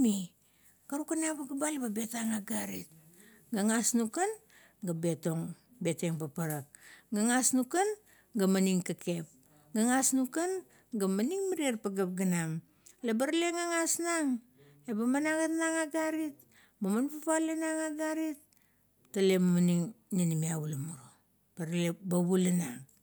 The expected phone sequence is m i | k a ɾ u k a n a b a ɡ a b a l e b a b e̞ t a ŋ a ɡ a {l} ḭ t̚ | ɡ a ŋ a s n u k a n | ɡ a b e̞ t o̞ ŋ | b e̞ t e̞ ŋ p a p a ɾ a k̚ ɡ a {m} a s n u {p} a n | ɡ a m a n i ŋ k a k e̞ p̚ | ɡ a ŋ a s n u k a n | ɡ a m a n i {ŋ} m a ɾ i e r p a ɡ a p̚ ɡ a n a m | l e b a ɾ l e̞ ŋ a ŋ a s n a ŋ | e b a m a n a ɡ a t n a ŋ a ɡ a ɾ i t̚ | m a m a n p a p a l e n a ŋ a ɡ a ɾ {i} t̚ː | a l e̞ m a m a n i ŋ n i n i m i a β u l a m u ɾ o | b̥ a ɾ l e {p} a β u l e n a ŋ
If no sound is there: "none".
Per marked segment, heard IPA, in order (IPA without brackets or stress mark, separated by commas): ɾ, ŋ, k, ŋ, i, b